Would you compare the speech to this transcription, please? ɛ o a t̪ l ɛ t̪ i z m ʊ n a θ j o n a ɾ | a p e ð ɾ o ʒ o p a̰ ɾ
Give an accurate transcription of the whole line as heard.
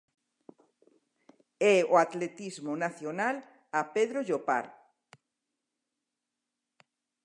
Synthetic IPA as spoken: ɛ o a t̪ l e t̪ i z m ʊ n a θ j o n a l | a p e ð ɾ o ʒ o p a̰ ɾ